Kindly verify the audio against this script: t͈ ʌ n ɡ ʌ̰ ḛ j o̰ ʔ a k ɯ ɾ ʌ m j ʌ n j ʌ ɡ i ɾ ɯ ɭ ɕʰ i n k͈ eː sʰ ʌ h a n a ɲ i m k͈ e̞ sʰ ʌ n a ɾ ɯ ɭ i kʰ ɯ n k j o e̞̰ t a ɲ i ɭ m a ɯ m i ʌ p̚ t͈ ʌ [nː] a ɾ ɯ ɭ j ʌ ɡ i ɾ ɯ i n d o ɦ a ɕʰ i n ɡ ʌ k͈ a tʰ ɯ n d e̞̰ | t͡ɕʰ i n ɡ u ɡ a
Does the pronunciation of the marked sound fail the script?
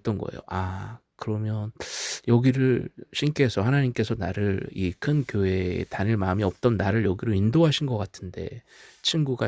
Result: no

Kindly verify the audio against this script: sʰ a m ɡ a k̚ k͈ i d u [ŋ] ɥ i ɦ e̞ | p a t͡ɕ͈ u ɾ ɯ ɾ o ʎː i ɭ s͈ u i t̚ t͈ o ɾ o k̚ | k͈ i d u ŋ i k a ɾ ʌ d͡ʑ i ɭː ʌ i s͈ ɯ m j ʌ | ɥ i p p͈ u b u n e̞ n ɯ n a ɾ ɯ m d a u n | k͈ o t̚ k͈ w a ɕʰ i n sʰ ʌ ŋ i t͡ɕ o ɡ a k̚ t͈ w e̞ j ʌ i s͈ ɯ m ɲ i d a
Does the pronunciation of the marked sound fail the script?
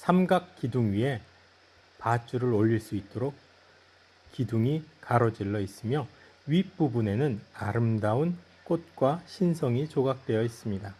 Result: no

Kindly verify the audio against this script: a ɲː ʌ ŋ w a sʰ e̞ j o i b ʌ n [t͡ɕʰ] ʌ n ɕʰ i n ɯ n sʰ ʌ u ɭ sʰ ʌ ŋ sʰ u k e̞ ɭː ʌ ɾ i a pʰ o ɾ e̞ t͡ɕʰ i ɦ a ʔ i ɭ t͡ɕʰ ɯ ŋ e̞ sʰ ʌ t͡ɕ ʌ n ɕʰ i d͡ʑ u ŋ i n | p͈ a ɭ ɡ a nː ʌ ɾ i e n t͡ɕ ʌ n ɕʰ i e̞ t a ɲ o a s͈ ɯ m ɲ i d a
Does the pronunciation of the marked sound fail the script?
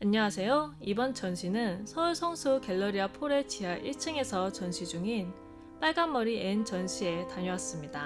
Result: yes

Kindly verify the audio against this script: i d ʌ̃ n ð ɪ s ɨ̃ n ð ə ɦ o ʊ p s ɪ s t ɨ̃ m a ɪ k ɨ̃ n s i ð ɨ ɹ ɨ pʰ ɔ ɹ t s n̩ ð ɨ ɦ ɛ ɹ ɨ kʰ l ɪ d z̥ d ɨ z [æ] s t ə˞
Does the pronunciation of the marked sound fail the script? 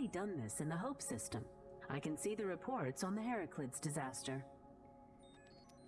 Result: no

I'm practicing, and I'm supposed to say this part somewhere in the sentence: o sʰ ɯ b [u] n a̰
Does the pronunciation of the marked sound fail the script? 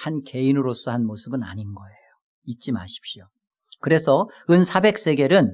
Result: yes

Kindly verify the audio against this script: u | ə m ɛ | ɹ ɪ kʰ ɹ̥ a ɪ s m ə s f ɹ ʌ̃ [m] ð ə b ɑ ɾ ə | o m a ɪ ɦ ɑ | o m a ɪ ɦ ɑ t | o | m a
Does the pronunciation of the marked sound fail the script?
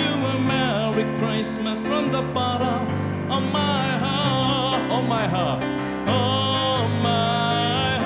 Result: no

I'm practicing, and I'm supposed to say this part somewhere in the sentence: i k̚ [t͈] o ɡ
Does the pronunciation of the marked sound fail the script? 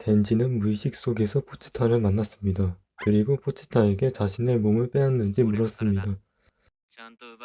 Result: yes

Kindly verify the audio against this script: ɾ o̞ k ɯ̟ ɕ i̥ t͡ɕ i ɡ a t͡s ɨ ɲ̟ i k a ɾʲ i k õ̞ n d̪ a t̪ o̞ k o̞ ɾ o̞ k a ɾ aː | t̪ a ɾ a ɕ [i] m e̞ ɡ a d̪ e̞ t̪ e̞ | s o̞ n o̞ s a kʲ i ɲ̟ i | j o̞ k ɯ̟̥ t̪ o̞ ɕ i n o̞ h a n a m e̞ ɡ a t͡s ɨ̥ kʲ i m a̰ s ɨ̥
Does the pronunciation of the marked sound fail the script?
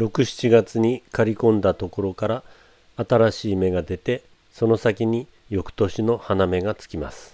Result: yes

